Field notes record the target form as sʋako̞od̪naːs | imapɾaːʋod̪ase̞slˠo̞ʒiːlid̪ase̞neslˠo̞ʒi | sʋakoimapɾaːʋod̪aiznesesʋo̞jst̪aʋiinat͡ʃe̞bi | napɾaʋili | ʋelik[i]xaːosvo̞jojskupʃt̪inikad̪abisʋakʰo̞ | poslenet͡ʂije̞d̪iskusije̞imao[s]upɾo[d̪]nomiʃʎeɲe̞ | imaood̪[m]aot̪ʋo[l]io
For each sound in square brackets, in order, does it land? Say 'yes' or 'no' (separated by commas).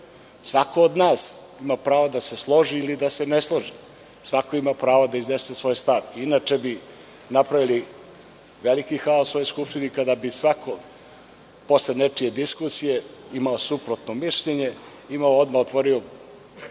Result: yes, yes, no, yes, no